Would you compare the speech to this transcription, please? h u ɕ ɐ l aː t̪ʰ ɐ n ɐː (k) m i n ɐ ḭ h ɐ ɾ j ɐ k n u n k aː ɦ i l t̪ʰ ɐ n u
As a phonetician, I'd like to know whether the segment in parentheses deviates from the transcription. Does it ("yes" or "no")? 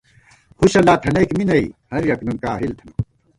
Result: no